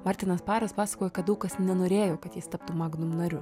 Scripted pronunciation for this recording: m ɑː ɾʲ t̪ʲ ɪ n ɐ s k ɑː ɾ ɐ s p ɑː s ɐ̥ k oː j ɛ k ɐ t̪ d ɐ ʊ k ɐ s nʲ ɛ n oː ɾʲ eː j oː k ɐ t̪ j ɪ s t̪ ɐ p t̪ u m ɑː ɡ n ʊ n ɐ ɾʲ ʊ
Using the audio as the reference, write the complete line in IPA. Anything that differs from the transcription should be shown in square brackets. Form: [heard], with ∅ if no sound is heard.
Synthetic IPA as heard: m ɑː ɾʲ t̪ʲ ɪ n ɐ s [p] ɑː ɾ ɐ s p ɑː s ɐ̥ k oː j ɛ k ɐ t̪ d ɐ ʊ k ɐ s nʲ ɛ n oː ɾʲ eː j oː k ɐ t̪ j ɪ s t̪ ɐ p t̪ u m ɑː ɡ n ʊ n ɐ ɾʲ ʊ